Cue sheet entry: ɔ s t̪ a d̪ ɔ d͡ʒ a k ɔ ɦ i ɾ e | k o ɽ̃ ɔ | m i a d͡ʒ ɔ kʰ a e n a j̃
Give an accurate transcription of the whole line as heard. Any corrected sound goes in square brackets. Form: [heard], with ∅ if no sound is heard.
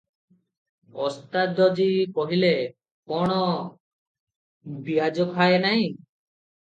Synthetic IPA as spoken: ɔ s t̪ a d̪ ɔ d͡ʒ [i] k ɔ ɦ i [l] e | k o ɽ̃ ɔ | [b] i a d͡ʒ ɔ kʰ a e n a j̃